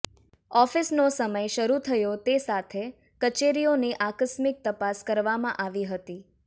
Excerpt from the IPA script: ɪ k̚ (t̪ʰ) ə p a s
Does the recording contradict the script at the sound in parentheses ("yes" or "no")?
yes